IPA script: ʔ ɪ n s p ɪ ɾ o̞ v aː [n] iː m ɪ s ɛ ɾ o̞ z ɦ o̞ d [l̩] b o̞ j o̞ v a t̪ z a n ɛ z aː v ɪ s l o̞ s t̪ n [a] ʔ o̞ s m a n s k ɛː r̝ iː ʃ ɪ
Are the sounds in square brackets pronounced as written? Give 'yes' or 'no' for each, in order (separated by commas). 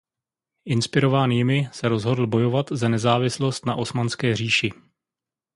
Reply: yes, yes, yes